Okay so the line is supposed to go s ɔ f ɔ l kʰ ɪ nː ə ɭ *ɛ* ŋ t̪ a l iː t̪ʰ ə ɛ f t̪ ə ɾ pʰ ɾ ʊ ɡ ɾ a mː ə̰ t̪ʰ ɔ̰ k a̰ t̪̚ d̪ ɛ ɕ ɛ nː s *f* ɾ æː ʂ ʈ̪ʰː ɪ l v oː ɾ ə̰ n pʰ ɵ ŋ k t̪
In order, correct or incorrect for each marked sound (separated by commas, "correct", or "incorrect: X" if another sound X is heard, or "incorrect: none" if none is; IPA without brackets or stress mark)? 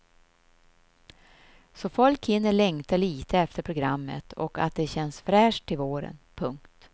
correct, correct